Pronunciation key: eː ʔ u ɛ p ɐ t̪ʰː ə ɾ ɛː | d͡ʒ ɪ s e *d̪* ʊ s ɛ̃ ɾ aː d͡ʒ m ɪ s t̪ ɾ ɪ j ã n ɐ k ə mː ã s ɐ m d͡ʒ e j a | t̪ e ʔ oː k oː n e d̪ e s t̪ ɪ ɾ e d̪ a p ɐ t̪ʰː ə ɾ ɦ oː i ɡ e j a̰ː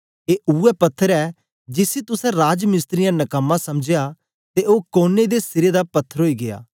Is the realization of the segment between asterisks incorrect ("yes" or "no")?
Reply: yes